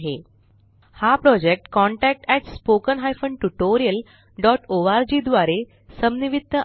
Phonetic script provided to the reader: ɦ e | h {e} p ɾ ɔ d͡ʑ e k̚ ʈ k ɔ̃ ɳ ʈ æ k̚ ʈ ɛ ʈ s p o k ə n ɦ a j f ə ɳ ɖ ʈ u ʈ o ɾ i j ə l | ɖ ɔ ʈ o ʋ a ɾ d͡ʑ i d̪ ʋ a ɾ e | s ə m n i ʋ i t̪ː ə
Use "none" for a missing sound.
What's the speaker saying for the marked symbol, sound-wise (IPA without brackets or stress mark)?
a